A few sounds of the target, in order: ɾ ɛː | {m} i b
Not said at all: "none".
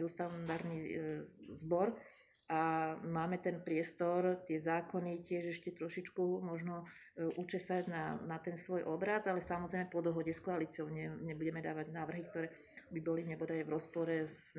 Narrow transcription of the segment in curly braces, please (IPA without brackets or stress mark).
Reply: b